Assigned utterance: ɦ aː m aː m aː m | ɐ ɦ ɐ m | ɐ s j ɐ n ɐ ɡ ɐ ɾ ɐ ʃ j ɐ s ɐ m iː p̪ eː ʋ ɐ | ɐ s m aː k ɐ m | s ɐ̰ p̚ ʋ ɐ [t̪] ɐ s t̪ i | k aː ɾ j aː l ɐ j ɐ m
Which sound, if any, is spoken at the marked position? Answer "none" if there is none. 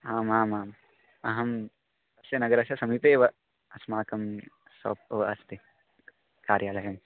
none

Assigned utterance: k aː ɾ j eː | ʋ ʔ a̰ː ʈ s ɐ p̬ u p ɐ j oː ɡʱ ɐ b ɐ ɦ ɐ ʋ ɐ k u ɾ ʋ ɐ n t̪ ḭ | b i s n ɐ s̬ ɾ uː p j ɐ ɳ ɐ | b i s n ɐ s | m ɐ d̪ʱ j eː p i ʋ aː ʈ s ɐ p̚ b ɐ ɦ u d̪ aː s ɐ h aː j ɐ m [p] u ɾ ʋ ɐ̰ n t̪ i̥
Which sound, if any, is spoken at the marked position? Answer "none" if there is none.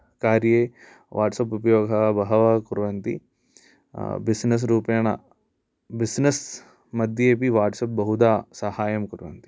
k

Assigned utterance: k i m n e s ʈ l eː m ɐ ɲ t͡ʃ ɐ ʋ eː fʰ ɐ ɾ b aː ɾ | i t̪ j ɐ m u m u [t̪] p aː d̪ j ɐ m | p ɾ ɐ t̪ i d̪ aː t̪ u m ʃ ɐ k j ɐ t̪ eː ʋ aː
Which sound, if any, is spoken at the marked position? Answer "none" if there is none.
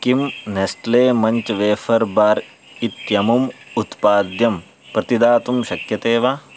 t̪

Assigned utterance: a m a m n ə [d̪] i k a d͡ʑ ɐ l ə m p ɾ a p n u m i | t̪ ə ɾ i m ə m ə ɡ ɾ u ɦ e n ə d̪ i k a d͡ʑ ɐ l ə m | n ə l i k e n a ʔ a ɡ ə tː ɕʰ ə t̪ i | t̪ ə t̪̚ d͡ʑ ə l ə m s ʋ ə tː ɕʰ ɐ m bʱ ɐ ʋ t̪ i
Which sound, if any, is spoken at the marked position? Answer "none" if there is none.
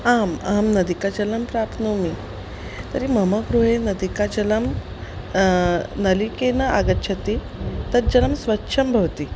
d̪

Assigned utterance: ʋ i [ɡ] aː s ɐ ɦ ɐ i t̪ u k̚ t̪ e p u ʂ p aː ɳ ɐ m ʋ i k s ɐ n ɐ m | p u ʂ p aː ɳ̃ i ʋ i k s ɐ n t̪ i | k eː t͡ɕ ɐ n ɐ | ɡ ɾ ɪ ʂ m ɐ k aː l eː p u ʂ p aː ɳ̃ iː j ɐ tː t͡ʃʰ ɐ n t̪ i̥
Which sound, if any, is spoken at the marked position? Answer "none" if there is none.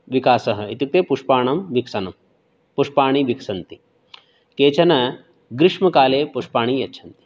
k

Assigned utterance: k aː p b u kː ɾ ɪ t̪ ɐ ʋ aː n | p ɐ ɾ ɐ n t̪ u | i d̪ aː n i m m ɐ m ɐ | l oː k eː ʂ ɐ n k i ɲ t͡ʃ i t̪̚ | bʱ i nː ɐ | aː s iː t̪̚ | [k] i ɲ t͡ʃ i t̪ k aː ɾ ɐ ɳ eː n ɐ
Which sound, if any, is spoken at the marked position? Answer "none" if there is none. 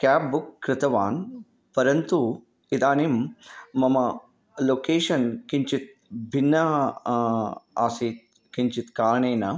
k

